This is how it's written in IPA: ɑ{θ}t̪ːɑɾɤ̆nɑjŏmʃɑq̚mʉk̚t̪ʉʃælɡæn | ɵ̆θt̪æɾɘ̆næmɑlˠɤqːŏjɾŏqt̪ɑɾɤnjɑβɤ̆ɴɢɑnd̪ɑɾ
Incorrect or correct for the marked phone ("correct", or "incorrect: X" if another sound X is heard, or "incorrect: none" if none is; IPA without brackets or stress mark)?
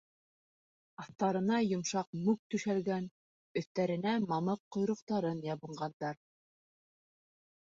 correct